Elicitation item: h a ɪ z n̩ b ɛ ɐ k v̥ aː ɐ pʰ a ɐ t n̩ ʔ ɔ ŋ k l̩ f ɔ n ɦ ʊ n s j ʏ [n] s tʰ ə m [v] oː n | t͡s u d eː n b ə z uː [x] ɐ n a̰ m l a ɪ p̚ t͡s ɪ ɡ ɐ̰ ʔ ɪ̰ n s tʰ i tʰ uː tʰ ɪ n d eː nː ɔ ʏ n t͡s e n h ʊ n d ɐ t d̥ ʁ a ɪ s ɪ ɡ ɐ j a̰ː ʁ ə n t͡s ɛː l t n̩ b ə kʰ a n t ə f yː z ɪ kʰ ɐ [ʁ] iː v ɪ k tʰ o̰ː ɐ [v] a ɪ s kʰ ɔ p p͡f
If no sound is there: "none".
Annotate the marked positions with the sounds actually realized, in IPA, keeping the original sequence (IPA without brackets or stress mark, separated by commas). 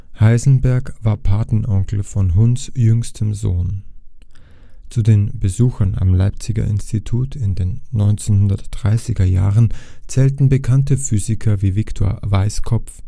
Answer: ŋ, z, x, v, v